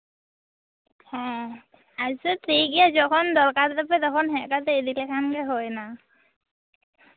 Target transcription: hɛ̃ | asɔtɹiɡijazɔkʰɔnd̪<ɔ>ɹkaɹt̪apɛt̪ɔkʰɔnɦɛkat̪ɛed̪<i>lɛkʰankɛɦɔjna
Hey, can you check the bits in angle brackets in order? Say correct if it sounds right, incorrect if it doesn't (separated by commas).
correct, correct